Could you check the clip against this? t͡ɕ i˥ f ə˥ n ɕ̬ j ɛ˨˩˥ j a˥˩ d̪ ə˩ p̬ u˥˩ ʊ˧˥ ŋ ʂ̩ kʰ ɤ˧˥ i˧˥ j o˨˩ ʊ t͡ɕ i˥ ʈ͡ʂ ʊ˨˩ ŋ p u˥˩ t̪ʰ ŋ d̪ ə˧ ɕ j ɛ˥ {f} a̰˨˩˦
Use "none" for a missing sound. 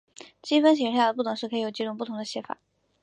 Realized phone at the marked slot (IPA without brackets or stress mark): f